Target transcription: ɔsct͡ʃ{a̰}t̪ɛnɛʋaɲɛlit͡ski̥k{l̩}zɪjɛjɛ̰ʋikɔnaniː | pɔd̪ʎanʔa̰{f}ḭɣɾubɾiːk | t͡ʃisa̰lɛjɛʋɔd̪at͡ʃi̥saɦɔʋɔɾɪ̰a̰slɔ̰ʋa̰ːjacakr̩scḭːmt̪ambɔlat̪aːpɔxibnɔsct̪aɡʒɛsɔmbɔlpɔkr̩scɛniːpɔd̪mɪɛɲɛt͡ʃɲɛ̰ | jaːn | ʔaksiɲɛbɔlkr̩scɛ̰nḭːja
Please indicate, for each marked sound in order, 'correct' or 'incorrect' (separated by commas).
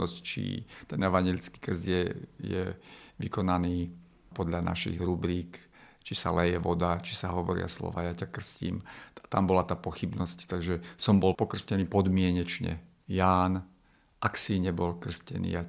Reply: incorrect, incorrect, incorrect